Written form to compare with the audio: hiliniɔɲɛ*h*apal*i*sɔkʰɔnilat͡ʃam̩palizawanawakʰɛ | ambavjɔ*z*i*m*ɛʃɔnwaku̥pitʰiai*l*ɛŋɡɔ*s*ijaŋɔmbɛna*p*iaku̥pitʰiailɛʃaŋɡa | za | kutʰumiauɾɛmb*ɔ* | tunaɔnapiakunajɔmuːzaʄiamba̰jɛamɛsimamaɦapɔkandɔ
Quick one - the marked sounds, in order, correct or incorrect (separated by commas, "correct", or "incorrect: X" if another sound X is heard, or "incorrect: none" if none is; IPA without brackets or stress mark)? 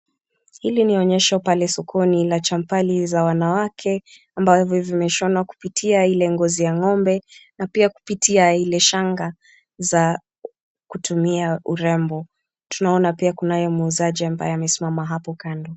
incorrect: ʃ, incorrect: ɛ, incorrect: v, correct, correct, incorrect: z, correct, correct